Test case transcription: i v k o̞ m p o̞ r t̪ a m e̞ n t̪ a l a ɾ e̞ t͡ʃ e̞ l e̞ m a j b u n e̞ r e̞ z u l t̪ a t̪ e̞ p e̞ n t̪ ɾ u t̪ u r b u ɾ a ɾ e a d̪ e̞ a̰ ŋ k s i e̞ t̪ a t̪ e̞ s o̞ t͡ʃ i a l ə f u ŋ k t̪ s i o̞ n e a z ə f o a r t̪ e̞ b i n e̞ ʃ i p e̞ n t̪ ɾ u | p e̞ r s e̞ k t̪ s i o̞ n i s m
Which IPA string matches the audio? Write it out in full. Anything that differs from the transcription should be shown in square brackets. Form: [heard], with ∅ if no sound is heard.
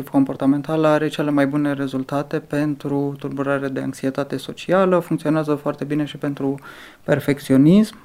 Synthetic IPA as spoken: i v k o̞ m p o̞ r t̪ a m e̞ n t̪ a l a ɾ e̞ t͡ʃ e̞ l e̞ m a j b u n e̞ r e̞ z u l t̪ a t̪ e̞ p e̞ n t̪ ɾ u t̪ u r b u ɾ a ɾ e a d̪ e̞ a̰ ŋ k s i e̞ t̪ a t̪ e̞ s o̞ t͡ʃ i a l ə f u ŋ k t̪ s i o̞ n e a z ə f o a r t̪ e̞ b i n e̞ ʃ i p e̞ n t̪ ɾ u | p e̞ r [f] e̞ k t̪ s i o̞ n i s m